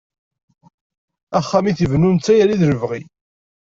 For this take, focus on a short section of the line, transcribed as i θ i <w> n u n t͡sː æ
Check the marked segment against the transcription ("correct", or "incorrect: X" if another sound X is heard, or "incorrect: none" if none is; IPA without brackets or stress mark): incorrect: v